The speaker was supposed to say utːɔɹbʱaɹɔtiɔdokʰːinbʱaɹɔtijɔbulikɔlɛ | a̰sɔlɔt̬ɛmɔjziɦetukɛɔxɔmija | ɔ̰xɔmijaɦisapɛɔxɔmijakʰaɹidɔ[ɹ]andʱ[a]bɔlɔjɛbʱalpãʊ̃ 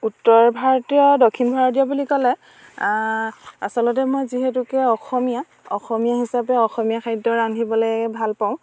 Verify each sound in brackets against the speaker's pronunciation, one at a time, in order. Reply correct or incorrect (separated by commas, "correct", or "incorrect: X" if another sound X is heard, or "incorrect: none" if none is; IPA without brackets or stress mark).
correct, incorrect: i